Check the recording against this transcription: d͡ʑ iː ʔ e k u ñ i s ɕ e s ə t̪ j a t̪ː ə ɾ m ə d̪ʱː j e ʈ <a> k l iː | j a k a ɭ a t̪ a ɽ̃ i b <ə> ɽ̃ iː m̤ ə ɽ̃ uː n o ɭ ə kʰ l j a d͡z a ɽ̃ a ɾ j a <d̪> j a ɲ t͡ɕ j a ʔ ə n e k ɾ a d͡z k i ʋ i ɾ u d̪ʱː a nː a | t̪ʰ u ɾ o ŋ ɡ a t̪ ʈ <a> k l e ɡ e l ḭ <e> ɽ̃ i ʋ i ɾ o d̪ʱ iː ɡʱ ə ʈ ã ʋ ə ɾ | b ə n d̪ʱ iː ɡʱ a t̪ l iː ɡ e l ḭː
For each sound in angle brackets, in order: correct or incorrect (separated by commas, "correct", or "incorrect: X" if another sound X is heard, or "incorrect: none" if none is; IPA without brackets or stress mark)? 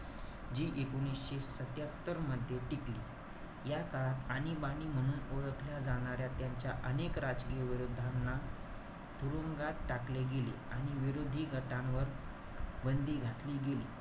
incorrect: i, incorrect: a, incorrect: t̪, correct, incorrect: a